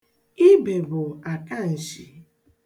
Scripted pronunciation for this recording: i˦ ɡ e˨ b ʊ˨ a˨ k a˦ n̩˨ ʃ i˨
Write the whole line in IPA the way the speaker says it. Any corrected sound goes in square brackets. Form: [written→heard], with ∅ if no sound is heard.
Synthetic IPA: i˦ [ɡ→b] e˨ b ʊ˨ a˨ k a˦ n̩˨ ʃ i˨